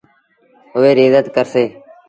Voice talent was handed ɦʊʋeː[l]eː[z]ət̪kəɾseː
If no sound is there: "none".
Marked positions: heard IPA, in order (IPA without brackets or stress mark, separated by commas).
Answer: ɾ, z